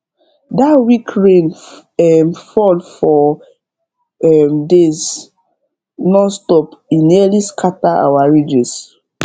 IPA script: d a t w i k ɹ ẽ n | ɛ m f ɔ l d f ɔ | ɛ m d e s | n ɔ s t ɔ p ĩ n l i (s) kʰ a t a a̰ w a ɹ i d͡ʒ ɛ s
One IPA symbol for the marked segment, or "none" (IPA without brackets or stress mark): s